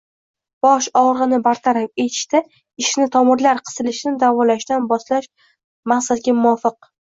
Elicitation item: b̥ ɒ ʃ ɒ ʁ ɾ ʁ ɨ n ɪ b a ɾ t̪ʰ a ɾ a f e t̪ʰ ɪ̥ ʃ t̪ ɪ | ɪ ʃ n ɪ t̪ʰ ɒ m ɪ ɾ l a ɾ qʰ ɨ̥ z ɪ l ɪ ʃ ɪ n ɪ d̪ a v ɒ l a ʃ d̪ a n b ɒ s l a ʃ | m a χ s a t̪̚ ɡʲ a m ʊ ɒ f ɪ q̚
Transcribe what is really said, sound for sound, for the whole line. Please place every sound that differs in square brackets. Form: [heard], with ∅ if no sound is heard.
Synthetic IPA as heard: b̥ ɒ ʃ ɒ ʁ ɾ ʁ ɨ n ɪ b a ɾ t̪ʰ a ɾ a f e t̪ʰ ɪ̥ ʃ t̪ ɪ | ɪ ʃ n ɪ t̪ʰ ɒ m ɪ ɾ l a ɾ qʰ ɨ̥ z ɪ l ɪ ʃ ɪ n ɪ d̪ a v ɒ l a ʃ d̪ a n b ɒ s l a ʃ | m a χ s a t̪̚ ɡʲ a m ʊ ɒ f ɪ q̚